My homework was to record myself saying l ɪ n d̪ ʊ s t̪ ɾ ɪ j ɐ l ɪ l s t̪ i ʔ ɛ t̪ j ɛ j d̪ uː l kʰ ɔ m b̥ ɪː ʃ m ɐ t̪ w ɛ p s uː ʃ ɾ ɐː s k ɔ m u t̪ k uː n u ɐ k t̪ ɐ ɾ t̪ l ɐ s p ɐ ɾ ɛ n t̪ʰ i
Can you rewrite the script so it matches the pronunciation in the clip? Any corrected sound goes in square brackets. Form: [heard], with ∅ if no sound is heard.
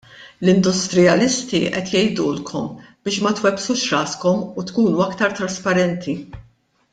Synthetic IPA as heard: l ɪ n d̪ ʊ s t̪ ɾ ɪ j ɐ l ɪ [∅] s t̪ i ʔ ɛ t̪ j ɛ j d̪ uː l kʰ ɔ m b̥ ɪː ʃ m ɐ t̪ w ɛ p s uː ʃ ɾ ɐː s k ɔ m u t̪ k uː n u ɐ k t̪ ɐ ɾ t̪ [ɾ] ɐ s p ɐ ɾ ɛ n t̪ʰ i